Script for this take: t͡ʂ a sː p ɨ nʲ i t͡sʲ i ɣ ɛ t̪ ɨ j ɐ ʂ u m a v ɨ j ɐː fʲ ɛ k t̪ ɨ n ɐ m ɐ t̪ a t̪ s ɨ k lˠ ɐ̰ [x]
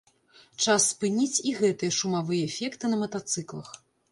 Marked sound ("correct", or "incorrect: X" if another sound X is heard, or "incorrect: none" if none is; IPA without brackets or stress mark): correct